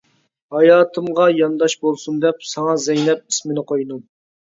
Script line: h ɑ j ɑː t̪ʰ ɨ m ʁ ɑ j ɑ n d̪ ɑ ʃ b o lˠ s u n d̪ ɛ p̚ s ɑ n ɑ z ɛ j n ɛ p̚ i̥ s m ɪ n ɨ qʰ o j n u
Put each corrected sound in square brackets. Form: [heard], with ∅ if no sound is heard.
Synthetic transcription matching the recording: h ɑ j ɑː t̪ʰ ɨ m ʁ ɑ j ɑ n d̪ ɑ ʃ b o lˠ s u n d̪ ɛ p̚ s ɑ [ŋ] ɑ z ɛ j n ɛ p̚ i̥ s m ɪ n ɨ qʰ o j n u